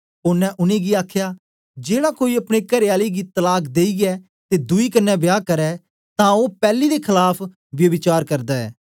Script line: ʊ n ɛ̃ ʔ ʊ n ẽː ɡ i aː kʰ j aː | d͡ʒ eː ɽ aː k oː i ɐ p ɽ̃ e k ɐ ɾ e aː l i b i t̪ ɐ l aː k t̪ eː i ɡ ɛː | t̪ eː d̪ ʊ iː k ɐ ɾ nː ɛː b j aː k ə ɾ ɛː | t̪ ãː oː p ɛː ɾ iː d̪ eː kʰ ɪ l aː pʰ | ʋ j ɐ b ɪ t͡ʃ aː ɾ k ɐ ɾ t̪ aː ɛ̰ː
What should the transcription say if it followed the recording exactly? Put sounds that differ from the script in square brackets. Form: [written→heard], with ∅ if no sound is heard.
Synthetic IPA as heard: ʊ n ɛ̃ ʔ ʊ n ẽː ɡ i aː kʰ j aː | d͡ʒ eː ɽ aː k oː i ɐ p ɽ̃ e k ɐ ɾ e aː l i [b→ɡ] i t̪ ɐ l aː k [t̪→d̪] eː i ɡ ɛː | t̪ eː d̪ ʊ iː k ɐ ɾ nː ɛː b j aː k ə ɾ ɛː | t̪ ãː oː p ɛː [ɾ→l] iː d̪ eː kʰ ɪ l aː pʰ | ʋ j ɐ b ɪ t͡ʃ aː ɾ k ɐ ɾ [t̪→d̪] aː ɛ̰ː